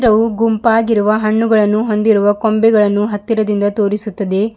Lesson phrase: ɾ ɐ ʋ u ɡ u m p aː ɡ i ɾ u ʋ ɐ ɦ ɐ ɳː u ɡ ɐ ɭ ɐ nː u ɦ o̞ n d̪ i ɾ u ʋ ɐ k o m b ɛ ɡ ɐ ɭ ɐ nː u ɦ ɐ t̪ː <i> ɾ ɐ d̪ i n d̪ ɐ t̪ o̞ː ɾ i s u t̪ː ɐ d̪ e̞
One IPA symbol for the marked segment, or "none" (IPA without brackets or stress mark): i